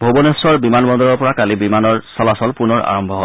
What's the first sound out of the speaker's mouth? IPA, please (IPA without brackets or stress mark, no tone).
bʱ